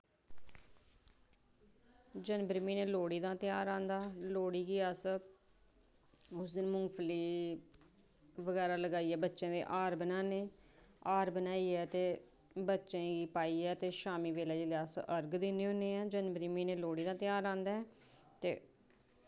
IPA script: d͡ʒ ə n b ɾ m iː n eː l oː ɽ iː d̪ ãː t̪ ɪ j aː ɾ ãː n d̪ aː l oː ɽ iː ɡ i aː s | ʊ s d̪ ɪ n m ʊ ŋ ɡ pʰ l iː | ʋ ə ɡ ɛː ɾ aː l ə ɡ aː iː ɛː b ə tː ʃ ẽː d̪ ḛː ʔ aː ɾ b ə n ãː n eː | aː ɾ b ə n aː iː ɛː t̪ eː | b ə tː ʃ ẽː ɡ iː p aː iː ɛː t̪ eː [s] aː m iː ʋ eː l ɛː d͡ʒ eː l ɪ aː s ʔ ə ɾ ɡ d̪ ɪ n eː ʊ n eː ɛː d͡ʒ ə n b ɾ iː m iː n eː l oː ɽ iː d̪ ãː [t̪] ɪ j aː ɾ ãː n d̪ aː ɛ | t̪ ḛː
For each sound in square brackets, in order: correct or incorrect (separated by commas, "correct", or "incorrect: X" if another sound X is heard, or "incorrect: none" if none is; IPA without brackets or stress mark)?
incorrect: ʃ, correct